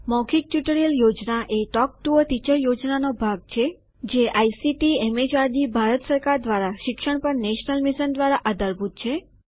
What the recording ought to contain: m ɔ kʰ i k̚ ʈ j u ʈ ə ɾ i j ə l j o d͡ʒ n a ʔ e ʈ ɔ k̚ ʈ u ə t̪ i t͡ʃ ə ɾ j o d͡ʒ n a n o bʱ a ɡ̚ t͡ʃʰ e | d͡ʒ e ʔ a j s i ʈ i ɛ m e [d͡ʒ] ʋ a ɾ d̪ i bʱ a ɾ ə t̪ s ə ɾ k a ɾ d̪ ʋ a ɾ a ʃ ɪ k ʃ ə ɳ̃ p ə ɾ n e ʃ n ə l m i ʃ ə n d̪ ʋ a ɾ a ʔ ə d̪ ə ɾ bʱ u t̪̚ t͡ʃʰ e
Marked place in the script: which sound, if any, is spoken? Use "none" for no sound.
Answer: d͡ʒ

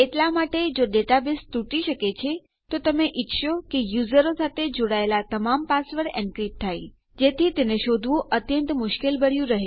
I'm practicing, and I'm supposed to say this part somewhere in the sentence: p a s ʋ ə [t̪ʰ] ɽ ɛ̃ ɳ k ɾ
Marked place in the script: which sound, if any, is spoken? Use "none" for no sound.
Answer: none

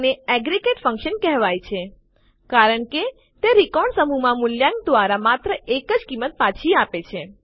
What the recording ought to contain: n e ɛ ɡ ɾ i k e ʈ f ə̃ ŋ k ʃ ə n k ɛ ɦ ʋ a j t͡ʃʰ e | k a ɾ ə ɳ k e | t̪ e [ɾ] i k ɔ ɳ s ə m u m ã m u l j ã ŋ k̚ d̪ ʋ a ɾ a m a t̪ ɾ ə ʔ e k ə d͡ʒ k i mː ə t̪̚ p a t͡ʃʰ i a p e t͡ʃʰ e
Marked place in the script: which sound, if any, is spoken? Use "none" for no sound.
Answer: ɾ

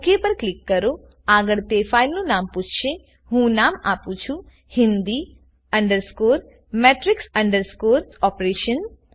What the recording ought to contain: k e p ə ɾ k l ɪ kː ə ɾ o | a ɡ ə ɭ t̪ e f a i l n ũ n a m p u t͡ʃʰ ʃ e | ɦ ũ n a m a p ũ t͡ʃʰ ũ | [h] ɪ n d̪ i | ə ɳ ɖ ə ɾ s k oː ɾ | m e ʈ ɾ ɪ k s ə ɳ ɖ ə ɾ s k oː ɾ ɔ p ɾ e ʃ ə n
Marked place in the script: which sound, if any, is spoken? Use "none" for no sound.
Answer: h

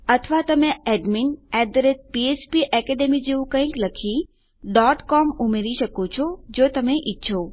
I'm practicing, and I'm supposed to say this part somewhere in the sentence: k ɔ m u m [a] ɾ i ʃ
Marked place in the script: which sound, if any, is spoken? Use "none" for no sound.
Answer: e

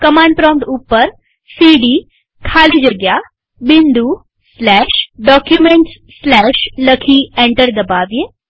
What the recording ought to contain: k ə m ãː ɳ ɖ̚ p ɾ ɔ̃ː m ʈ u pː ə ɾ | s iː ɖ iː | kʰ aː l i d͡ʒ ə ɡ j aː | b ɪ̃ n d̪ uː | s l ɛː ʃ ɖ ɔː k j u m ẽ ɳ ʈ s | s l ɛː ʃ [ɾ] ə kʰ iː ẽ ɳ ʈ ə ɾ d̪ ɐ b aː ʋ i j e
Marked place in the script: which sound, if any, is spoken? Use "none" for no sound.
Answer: l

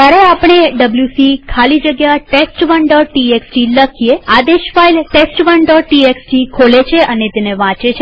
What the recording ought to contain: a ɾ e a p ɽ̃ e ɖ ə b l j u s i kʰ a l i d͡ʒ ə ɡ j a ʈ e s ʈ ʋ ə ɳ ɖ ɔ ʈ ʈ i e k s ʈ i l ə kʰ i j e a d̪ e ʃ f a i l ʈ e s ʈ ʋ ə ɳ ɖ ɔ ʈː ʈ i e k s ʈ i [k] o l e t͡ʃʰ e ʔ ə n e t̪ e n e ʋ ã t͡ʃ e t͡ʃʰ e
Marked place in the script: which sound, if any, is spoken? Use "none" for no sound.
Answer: kʰ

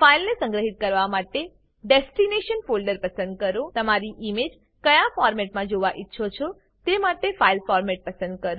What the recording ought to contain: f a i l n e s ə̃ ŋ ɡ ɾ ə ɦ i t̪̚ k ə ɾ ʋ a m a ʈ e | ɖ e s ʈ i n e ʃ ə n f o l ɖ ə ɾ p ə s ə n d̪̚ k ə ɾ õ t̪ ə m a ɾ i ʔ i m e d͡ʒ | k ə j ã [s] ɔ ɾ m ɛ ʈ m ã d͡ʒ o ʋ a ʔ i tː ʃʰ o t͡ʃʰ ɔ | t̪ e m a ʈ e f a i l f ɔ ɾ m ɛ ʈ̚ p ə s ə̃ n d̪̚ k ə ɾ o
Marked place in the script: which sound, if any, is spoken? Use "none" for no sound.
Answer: f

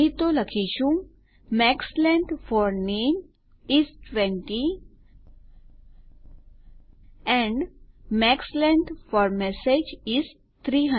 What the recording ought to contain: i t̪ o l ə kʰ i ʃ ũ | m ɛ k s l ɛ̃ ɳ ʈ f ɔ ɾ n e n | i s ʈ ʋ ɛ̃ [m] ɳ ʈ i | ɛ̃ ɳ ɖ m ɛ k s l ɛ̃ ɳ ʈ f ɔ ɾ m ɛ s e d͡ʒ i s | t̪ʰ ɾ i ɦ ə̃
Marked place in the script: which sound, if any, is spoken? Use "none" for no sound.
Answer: none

